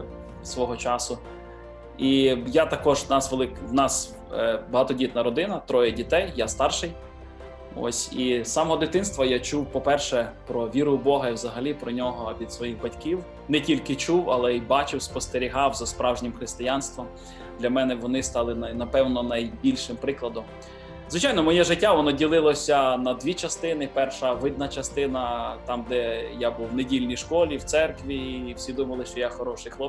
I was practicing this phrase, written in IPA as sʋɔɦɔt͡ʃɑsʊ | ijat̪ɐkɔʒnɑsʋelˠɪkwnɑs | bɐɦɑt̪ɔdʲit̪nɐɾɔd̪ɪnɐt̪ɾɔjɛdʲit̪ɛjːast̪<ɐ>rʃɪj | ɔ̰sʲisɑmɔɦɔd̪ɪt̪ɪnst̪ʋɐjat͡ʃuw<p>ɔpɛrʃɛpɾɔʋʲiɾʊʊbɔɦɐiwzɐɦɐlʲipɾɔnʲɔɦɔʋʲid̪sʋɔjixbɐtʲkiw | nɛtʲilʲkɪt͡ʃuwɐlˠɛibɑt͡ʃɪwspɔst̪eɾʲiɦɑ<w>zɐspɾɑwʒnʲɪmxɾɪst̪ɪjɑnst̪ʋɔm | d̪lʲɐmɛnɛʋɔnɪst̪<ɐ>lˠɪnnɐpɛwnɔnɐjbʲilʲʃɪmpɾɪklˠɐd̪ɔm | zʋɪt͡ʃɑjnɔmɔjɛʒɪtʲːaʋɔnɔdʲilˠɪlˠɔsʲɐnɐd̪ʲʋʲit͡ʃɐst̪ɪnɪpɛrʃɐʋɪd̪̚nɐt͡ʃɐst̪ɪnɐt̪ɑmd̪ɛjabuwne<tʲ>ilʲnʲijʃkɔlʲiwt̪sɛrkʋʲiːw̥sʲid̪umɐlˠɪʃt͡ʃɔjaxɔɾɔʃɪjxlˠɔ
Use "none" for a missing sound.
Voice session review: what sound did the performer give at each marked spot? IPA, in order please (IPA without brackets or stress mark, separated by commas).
ɑ, p, w, ɑ, dʲ